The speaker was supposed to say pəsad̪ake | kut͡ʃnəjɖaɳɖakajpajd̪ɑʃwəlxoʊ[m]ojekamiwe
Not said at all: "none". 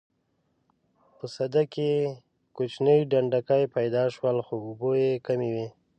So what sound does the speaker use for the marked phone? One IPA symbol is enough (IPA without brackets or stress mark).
b